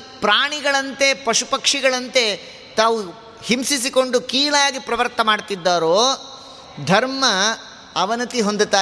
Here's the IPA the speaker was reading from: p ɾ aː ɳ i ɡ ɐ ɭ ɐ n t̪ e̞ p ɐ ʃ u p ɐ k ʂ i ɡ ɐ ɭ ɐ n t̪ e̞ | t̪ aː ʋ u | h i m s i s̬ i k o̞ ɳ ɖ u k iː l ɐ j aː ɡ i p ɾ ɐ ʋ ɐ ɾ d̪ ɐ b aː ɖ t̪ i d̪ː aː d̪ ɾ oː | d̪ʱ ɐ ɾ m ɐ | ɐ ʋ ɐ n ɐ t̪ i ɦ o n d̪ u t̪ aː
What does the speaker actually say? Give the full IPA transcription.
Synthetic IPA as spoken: p ɾ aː ɳ i ɡ ɐ ɭ ɐ n t̪ e̞ p ɐ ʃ u p ɐ k ʂ i ɡ ɐ ɭ ɐ n t̪ e̞ | t̪ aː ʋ u | h i m s i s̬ i k o̞ ɳ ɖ u k iː l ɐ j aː ɡ i p ɾ ɐ ʋ ɐ ɾ t̪ ɐ m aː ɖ t̪ i d̪ː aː ɾ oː | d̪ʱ ɐ ɾ m ɐ | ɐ ʋ ɐ n ɐ t̪ i ɦ o n d̪ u t̪ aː